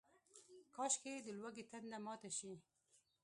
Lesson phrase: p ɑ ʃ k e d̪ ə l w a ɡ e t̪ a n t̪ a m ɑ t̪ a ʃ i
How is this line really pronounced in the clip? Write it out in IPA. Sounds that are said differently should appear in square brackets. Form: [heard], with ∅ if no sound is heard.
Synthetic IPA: [k] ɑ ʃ k e d̪ ə l w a ɡ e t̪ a n [d̪] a m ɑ t̪ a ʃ i